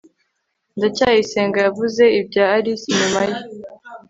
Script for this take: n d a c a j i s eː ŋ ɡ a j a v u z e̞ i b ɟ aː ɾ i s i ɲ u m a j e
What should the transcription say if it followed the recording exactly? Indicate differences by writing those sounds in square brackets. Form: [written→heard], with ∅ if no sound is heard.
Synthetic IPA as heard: n d a c a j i s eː ŋ ɡ a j a v u z e̞ i b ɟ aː ɾ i s i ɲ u m a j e